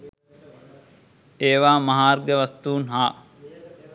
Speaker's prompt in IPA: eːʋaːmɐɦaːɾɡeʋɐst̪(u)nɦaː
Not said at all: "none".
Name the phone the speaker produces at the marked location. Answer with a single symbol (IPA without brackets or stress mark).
uː